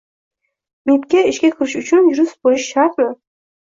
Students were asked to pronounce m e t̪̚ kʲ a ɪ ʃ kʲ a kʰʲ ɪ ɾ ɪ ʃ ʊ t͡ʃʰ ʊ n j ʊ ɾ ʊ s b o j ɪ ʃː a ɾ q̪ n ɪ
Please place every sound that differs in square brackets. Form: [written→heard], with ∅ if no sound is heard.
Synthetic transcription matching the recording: m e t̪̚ kʲ a ɪ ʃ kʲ a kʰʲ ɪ ɾ ɪ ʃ ʊ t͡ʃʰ ʊ n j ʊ ɾ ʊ s b o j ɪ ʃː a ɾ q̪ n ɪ